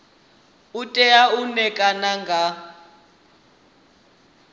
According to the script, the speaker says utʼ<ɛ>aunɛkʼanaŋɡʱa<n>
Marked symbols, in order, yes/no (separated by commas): yes, no